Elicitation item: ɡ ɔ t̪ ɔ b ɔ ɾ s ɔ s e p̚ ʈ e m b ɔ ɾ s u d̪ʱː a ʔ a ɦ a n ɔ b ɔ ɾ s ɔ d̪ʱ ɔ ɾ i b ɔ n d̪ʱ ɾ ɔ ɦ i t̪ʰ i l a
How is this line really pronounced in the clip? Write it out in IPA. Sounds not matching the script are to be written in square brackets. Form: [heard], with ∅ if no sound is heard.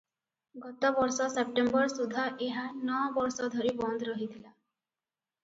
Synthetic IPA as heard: ɡ ɔ t̪ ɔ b ɔ ɾ s ɔ s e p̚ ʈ e m b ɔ ɾ s u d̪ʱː a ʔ [e] ɦ a n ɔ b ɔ ɾ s ɔ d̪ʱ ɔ ɾ i b ɔ n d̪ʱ ɾ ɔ ɦ i t̪ʰ i l a